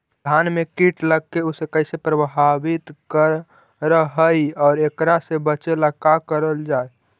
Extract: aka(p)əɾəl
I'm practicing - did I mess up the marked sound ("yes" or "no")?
yes